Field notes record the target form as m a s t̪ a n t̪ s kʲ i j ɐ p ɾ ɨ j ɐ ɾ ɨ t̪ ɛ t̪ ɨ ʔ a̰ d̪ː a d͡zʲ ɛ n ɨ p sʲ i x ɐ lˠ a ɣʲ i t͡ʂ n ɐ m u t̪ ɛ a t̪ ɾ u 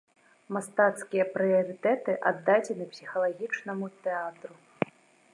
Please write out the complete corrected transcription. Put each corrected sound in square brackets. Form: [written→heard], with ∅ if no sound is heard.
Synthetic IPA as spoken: m a s t̪ a [n→∅] t̪ s kʲ i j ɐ p ɾ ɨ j ɐ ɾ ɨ t̪ ɛ t̪ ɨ ʔ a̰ d̪ː a d͡zʲ ɛ n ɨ p sʲ i x ɐ lˠ a ɣʲ i t͡ʂ n ɐ m u t̪ ɛ a t̪ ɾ u